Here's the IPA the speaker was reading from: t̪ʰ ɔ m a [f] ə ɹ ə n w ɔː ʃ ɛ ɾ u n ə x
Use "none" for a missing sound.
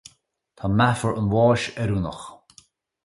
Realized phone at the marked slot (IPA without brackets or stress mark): f